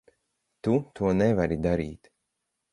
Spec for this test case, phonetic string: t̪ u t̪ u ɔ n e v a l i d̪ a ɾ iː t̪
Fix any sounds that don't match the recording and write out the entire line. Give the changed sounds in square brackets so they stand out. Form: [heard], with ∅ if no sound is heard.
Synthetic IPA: t̪ u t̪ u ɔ n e v a [ɾ] i d̪ a ɾ iː t̪